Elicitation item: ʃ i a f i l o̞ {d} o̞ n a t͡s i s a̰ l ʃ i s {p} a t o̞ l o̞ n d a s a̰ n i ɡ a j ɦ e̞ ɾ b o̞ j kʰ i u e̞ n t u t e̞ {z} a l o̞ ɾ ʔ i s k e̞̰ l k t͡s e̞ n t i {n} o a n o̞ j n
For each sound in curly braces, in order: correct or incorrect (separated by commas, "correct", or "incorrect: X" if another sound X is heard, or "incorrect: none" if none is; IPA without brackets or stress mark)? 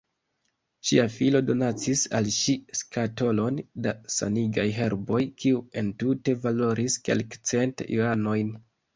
correct, incorrect: k, incorrect: v, incorrect: none